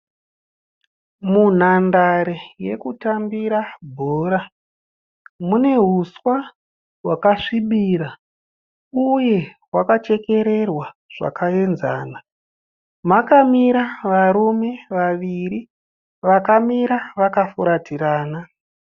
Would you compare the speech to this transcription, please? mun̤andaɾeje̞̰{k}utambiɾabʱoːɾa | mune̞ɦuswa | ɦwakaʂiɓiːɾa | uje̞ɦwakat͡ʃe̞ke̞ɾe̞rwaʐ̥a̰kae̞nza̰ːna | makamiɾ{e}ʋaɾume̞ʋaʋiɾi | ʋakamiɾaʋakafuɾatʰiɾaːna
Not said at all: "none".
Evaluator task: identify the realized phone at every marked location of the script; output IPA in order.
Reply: k, a

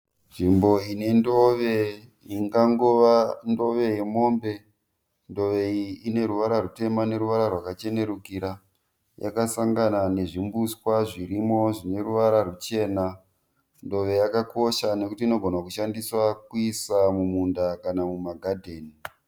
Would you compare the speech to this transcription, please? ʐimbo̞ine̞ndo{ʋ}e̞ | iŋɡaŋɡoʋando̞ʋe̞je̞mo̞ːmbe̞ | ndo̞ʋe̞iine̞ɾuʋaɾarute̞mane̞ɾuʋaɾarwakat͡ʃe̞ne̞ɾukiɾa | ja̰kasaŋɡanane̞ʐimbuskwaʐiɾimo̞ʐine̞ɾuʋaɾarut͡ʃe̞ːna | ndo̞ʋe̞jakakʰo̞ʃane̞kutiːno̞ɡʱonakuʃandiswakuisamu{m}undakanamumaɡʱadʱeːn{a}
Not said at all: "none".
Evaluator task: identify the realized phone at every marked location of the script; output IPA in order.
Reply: ʋ, m, i

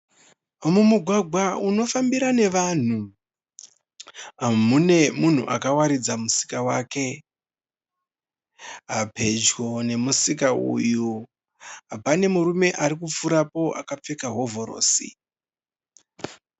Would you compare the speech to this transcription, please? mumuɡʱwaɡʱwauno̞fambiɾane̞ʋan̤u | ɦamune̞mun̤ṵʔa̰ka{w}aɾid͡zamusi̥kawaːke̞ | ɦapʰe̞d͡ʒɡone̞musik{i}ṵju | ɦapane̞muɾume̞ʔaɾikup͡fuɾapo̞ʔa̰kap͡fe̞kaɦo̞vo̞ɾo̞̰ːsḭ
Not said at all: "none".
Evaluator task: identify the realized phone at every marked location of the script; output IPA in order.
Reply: w, a

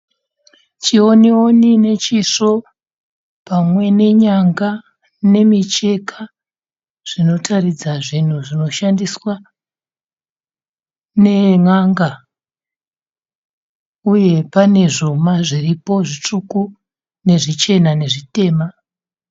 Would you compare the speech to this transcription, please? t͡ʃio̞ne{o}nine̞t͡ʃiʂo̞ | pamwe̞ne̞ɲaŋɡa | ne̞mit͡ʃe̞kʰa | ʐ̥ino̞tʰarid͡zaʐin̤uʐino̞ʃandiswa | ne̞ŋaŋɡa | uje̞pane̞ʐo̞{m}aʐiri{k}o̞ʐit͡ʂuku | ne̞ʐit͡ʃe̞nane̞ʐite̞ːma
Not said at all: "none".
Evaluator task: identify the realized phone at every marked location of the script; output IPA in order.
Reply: o, m, p

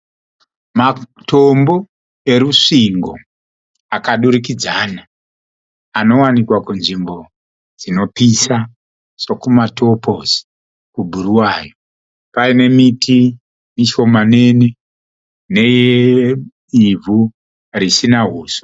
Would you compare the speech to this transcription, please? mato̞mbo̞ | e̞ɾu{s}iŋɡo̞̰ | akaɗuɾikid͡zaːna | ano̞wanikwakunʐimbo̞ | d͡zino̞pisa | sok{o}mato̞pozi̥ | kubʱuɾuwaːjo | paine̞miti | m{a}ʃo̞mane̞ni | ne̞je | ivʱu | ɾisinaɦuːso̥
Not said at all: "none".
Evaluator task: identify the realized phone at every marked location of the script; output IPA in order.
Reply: ʂ, u, i

